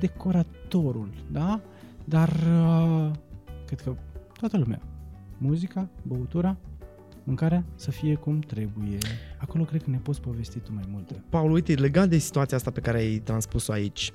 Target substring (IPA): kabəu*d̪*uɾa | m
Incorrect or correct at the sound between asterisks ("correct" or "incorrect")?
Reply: incorrect